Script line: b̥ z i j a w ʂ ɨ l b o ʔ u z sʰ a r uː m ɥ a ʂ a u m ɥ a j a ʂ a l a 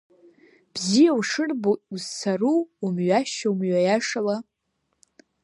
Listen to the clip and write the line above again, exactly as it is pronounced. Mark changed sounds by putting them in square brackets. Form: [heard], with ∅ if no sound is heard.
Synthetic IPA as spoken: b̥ z i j a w ʂ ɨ [r] b o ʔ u z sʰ a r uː m ɥ a [ʃ] a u m ɥ a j a ʂ a l a